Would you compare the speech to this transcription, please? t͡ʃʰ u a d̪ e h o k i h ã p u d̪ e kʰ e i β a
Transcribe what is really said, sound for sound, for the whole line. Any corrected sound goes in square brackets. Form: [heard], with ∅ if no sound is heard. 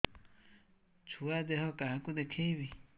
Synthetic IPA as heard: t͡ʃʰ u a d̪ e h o k [a] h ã [k] u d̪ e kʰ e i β [i]